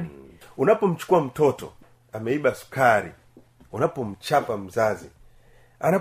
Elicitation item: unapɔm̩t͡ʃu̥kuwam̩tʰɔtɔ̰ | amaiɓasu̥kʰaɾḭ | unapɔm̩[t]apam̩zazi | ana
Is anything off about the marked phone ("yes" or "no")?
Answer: yes